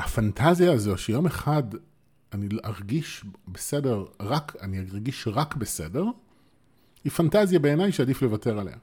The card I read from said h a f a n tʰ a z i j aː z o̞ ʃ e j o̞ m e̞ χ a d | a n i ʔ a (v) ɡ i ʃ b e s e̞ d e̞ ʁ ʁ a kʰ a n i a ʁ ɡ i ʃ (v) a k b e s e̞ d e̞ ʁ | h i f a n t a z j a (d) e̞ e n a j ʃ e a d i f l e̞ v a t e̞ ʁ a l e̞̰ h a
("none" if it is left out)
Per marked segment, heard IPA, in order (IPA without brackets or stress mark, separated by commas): ʁ, ʁ, b